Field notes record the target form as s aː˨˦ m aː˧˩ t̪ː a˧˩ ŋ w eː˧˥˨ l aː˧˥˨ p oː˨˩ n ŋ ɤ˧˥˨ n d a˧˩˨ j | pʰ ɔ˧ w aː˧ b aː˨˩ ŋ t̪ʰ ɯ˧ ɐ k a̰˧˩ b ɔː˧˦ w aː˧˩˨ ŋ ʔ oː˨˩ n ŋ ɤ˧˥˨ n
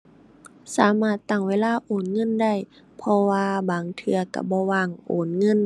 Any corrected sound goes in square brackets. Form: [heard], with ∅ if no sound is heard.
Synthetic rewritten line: s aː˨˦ m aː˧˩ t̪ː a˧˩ ŋ w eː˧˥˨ l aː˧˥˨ [ʔ] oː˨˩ n ŋ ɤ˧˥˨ n d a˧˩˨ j | pʰ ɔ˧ w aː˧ b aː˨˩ ŋ t̪ʰ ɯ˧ ɐ k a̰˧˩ b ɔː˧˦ w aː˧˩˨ ŋ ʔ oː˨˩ n ŋ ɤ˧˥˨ n

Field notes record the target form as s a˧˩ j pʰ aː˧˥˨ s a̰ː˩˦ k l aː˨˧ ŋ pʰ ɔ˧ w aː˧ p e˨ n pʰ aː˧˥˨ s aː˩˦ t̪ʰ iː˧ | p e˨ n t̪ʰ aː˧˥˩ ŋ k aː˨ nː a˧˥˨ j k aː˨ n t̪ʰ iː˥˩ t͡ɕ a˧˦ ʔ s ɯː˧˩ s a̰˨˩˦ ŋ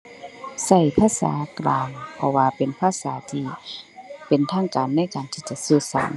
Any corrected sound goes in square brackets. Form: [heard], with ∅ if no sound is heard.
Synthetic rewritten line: s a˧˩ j pʰ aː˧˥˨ s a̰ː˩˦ k l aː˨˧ ŋ pʰ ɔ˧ w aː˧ p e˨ n pʰ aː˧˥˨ s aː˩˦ t̪ʰ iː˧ | p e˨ n t̪ʰ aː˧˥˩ ŋ k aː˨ nː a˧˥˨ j k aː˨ n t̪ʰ [iː˧˩] t͡ɕ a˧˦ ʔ s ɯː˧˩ s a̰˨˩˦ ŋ

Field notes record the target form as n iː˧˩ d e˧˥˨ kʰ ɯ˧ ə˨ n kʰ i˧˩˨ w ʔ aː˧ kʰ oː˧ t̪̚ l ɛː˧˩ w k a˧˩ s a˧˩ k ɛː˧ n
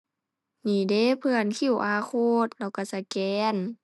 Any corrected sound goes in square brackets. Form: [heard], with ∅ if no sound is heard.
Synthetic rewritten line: n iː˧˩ d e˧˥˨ [pʰ] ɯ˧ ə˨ n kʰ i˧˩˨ w ʔ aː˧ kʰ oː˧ t̪̚ l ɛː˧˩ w k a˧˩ s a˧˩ k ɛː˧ n

